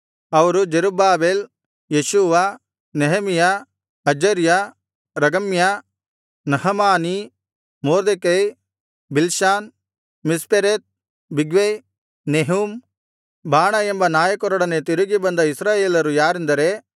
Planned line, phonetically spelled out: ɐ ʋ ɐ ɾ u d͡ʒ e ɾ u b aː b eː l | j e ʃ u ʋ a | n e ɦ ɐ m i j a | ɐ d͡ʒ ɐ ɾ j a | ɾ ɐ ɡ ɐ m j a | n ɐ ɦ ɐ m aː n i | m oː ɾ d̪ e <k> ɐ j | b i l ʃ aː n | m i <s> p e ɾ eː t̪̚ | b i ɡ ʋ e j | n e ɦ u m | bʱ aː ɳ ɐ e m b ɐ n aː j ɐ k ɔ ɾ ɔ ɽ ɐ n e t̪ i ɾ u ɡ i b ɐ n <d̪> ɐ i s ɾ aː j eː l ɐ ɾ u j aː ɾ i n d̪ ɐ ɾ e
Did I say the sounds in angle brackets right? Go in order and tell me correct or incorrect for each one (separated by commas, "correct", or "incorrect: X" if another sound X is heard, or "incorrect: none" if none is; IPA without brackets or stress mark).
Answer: correct, correct, correct